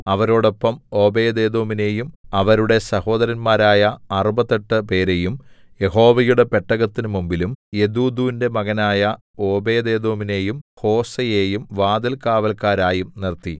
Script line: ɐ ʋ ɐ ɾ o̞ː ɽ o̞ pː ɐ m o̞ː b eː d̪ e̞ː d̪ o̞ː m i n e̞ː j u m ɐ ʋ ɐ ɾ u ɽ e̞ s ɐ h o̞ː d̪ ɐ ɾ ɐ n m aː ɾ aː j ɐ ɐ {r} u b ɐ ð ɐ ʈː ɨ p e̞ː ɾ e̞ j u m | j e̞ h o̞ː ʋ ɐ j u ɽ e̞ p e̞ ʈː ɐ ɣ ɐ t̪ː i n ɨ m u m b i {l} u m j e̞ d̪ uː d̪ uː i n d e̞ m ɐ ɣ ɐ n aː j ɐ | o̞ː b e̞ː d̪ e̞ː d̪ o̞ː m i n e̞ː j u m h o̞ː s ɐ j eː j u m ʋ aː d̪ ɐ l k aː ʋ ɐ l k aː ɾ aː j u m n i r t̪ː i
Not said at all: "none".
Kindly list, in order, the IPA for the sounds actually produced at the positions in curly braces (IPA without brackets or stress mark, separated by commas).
r, l